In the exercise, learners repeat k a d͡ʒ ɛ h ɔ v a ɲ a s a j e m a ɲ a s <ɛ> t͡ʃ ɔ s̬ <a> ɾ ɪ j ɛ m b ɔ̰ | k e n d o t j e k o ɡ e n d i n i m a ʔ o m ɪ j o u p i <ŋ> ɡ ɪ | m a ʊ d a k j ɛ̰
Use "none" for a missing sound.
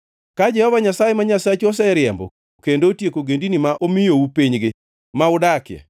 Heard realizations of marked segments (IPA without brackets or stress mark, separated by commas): a, ɛ, ɲ